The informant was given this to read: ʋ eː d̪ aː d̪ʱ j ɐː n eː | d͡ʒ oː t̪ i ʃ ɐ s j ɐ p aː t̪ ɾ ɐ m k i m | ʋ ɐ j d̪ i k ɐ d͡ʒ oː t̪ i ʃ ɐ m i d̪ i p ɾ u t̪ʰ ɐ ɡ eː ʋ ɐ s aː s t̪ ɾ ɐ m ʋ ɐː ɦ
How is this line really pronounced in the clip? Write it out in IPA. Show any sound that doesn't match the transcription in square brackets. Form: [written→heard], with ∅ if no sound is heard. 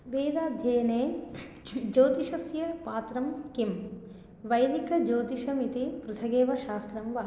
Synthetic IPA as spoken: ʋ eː d̪ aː d̪ʱ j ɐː n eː | d͡ʒ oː t̪ i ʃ ɐ s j ɐ p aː t̪ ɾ ɐ m k i m | ʋ ɐ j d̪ i k ɐ d͡ʒ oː t̪ i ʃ ɐ m i [d̪→t̪] i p ɾ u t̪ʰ ɐ ɡ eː ʋ ɐ [s→ʃ] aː s t̪ ɾ ɐ m ʋ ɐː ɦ

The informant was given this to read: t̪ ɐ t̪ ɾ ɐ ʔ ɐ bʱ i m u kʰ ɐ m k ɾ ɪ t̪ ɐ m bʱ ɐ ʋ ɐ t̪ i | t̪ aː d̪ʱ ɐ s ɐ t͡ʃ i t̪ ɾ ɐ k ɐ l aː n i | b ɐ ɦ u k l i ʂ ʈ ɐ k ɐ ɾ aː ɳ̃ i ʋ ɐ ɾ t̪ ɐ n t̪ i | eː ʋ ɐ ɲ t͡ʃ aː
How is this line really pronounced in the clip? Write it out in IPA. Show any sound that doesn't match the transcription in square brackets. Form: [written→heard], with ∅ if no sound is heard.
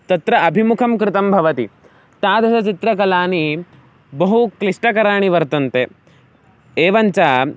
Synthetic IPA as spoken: t̪ ɐ t̪ ɾ ɐ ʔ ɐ bʱ i m u kʰ ɐ m k ɾ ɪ t̪ ɐ m bʱ ɐ ʋ ɐ t̪ i | t̪ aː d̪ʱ ɐ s ɐ t͡ʃ i t̪ ɾ ɐ k ɐ l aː n i | b ɐ ɦ u k l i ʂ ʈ ɐ k ɐ ɾ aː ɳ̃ i ʋ ɐ ɾ t̪ ɐ n t̪ [i→e] | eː ʋ ɐ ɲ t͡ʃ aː

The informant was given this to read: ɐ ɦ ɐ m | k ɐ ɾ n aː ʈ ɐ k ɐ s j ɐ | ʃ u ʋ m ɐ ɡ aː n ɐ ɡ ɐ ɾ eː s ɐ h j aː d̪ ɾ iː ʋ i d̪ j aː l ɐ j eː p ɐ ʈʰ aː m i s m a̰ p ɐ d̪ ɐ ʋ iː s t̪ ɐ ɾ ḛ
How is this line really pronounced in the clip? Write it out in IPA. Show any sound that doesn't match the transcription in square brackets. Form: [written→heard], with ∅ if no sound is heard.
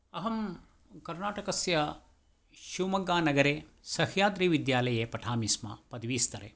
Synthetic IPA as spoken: ɐ ɦ ɐ m | k ɐ ɾ n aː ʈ ɐ k ɐ s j ɐ | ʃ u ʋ m ɐ ɡ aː n ɐ ɡ ɐ ɾ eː s ɐ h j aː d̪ ɾ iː ʋ i d̪ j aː l ɐ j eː p ɐ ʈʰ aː m i s m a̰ p ɐ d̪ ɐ ʋ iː s t̪ ɐ ɾ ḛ

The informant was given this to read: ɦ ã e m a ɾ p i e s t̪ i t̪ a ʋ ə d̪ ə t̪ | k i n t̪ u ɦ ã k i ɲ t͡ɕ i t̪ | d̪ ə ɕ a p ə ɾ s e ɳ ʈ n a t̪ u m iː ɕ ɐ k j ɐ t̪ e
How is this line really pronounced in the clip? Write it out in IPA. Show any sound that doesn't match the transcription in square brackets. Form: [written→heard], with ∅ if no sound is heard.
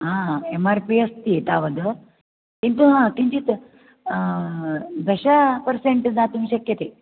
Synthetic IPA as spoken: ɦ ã e m a ɾ p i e s t̪ i t̪ a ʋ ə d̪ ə [t̪→∅] | k i n t̪ u ɦ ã k i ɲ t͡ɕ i t̪ | d̪ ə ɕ a p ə ɾ s e ɳ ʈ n a t̪ u m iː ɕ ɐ k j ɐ t̪ e

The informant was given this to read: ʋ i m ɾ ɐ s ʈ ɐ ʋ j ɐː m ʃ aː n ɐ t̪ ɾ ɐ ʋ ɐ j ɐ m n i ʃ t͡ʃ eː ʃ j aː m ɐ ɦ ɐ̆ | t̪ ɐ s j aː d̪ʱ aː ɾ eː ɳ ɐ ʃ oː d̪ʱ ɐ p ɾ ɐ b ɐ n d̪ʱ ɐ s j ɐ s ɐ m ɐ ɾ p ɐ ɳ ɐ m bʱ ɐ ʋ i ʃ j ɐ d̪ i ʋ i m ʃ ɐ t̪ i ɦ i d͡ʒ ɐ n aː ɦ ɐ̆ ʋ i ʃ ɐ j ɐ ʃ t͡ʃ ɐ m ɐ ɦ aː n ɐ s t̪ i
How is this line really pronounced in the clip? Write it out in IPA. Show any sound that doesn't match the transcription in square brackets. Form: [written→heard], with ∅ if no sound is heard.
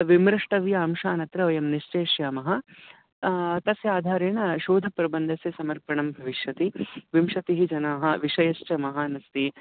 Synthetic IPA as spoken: ʋ i m ɾ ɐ [s→ʂ] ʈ ɐ ʋ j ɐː m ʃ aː n ɐ t̪ ɾ ɐ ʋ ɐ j ɐ m n i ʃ t͡ʃ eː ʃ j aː m ɐ ɦ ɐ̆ | t̪ ɐ s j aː d̪ʱ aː ɾ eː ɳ ɐ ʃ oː d̪ʱ ɐ p ɾ ɐ b ɐ n d̪ʱ ɐ s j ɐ s ɐ m ɐ ɾ p ɐ ɳ ɐ m bʱ ɐ ʋ i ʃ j ɐ [d̪→t̪] i ʋ i m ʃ ɐ t̪ i ɦ i d͡ʒ ɐ n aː ɦ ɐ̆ ʋ i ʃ ɐ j ɐ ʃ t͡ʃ ɐ m ɐ ɦ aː n ɐ s t̪ i

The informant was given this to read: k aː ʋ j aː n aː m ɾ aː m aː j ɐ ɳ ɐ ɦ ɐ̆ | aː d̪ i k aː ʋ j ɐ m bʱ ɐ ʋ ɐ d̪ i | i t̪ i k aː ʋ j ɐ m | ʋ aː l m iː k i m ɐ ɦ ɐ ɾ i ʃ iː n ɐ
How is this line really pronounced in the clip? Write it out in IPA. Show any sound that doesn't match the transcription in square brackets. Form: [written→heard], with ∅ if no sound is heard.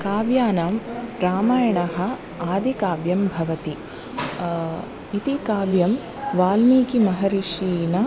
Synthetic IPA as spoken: k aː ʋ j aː n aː m ɾ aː m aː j ɐ ɳ ɐ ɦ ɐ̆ | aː d̪ i k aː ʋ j ɐ m bʱ ɐ ʋ ɐ [d̪→t̪] i | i t̪ i k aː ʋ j ɐ m | ʋ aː l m iː k i m ɐ ɦ ɐ ɾ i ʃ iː n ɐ

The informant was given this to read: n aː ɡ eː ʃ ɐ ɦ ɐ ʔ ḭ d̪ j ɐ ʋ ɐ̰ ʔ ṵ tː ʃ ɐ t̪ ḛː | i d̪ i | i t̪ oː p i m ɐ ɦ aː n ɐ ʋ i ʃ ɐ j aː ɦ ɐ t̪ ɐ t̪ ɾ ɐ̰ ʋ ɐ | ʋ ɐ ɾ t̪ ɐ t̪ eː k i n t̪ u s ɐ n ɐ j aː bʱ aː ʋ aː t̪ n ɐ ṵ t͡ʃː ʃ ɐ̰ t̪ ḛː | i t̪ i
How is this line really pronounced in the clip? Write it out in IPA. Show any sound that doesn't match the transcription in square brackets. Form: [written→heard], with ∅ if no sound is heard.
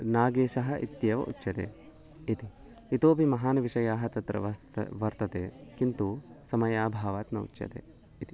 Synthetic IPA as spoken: n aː ɡ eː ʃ ɐ ɦ ɐ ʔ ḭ [d̪→t̪] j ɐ ʋ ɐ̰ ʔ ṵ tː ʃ ɐ t̪ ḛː | i [d̪→t̪] i | i t̪ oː p i m ɐ ɦ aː n ɐ ʋ i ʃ ɐ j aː ɦ ɐ t̪ ɐ t̪ ɾ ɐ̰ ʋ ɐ | ʋ ɐ ɾ t̪ ɐ t̪ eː k i n t̪ u s ɐ [n→m] ɐ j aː bʱ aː ʋ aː t̪ n ɐ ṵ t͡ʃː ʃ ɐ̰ t̪ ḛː | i t̪ i

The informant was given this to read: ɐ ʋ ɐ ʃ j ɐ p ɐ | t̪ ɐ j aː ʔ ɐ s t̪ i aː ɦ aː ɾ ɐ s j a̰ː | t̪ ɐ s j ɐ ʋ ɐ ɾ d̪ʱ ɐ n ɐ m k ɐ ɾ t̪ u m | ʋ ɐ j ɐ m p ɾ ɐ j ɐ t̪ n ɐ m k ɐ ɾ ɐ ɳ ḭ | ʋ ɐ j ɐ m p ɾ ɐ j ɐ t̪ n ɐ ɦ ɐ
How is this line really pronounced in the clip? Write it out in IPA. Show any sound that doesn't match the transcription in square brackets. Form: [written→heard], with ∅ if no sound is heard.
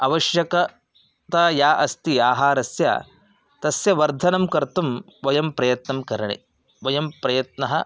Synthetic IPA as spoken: ɐ ʋ ɐ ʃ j ɐ [p→k] ɐ | t̪ ɐ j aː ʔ ɐ s t̪ i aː ɦ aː ɾ ɐ s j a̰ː | t̪ ɐ s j ɐ ʋ ɐ ɾ d̪ʱ ɐ n ɐ m k ɐ ɾ t̪ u m | ʋ ɐ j ɐ m p ɾ ɐ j ɐ t̪ n ɐ m k ɐ ɾ ɐ ɳ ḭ | ʋ ɐ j ɐ m p ɾ ɐ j ɐ t̪ n ɐ ɦ ɐ

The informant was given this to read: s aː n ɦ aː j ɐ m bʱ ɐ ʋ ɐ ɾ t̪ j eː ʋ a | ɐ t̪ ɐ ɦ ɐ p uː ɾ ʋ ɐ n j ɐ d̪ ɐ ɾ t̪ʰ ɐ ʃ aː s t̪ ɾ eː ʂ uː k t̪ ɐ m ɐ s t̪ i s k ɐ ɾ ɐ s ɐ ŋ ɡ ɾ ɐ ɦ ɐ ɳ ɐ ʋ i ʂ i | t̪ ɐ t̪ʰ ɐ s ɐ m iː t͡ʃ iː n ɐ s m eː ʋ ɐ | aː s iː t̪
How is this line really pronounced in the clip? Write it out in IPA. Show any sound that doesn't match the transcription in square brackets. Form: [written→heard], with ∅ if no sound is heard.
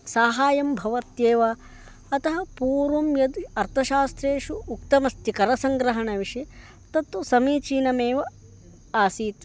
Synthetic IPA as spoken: s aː [n→∅] ɦ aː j ɐ m bʱ ɐ ʋ ɐ ɾ t̪ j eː ʋ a | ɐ t̪ ɐ ɦ ɐ p uː ɾ ʋ ɐ [n→m] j ɐ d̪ ɐ ɾ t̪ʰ ɐ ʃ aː s t̪ ɾ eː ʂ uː k t̪ ɐ m ɐ s t̪ i [s→∅] k ɐ ɾ ɐ s ɐ ŋ ɡ ɾ ɐ ɦ ɐ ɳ ɐ ʋ i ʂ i | t̪ ɐ [t̪ʰ→t̪] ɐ s ɐ m iː t͡ʃ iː n ɐ [s→∅] m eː ʋ ɐ | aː s iː t̪

